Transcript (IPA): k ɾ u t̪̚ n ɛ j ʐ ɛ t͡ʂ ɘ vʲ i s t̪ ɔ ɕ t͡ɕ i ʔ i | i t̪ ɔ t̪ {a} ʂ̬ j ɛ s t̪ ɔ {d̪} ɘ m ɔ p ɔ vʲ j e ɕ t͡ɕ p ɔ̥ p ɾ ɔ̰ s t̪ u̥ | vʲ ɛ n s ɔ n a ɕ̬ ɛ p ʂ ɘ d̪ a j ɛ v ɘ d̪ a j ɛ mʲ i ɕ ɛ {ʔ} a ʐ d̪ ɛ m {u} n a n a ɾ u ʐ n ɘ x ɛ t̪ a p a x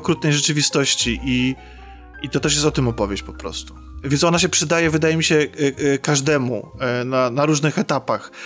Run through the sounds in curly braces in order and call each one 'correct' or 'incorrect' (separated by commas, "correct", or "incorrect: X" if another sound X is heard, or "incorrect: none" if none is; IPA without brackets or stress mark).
incorrect: ɛ, incorrect: t̪, incorrect: k, correct